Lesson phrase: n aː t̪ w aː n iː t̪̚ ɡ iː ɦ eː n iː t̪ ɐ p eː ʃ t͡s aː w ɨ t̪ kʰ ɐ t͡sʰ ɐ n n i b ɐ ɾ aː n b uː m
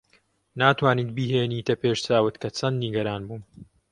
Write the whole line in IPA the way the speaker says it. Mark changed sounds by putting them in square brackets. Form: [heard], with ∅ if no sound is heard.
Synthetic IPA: n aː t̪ w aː n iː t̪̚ [b] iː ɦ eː n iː t̪ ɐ p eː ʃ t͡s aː w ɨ t̪ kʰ ɐ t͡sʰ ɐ n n i [ɡ] ɐ ɾ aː n b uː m